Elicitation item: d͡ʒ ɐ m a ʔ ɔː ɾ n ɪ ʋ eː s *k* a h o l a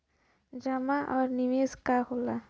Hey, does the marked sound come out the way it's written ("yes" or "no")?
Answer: yes